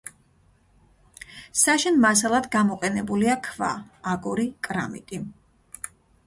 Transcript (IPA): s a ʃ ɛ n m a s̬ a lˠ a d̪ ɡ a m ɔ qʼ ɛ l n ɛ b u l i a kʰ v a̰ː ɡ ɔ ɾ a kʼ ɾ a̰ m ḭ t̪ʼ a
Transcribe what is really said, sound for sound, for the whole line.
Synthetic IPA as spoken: s a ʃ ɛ n m a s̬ a lˠ a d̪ ɡ a m ɔ qʼ ɛ n ɛ b u l i a kʰ v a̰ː ɡ ɔ ɾ i kʼ ɾ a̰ m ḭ t̪ʼ i